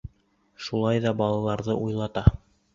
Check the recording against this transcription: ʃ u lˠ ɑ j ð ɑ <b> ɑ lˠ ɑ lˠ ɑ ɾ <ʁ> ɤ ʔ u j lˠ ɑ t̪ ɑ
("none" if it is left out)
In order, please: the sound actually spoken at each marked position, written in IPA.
b, ð

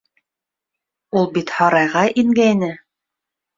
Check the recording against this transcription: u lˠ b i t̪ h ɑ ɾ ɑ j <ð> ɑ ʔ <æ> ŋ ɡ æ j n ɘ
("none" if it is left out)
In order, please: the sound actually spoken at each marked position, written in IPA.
ʁ, i

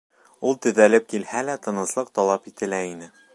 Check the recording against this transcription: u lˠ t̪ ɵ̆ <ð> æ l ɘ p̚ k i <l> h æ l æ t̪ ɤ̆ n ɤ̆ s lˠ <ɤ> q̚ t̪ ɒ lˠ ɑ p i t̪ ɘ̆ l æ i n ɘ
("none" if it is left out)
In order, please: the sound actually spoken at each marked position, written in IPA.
ð, l, ɤ

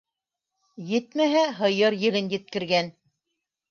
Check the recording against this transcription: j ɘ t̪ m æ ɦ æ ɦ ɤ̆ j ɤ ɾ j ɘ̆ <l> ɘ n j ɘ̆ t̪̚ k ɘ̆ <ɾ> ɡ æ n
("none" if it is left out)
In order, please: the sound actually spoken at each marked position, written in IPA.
l, ɾ

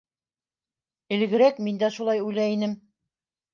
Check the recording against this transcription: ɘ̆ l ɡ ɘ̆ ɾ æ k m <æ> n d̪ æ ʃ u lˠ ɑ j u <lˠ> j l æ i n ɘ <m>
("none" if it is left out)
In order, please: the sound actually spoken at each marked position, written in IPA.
i, none, m

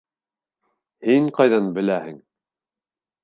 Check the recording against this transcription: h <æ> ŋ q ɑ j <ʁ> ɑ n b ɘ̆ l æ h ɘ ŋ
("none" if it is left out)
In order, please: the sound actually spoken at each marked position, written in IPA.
i, ð

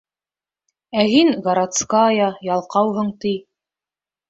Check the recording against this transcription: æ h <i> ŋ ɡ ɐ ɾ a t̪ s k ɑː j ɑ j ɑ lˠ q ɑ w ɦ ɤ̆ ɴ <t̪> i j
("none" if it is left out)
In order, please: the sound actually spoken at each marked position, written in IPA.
i, t̪

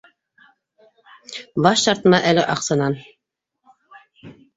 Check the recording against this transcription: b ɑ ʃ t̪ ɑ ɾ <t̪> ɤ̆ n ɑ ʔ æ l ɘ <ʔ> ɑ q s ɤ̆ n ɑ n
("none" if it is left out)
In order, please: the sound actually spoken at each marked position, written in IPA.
t̪, ʔ

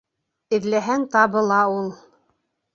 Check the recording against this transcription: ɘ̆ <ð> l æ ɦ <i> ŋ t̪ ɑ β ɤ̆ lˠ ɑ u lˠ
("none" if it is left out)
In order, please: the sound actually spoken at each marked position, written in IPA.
ð, æ

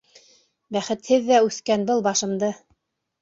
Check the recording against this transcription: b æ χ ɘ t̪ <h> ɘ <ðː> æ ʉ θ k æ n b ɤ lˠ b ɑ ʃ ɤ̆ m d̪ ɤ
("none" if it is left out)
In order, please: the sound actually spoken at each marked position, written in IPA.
h, ðː

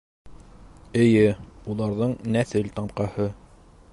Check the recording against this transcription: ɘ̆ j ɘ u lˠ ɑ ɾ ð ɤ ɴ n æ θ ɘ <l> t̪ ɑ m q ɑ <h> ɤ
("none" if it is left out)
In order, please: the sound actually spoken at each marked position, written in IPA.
l, h

